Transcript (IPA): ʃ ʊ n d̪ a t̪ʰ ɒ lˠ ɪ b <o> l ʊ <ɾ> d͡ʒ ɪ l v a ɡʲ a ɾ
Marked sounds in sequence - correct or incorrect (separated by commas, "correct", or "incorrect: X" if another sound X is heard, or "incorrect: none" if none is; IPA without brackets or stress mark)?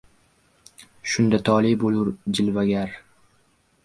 correct, correct